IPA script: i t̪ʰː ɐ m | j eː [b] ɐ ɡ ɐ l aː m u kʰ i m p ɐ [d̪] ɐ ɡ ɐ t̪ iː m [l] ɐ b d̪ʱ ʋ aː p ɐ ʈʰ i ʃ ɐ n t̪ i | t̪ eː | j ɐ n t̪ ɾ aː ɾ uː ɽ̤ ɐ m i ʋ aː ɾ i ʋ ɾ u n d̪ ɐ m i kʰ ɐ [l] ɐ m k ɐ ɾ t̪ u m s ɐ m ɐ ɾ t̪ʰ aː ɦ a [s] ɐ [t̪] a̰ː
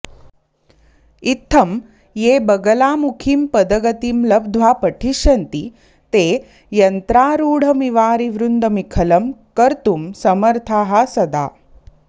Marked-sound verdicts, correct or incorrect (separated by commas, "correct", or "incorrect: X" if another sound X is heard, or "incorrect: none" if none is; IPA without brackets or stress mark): correct, correct, correct, correct, correct, incorrect: d̪